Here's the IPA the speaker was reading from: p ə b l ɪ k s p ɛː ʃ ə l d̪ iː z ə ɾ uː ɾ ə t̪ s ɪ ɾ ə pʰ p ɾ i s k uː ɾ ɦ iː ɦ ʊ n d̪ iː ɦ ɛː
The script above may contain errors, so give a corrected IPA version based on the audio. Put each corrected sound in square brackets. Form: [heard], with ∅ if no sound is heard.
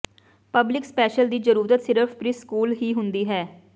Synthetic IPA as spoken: p ə b l ɪ k s p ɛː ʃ ə l d̪ iː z ə ɾ uː ɾ ə t̪ s ɪ ɾ ə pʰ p ɾ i s k uː [l] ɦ iː ɦ ʊ n d̪ iː ɦ ɛː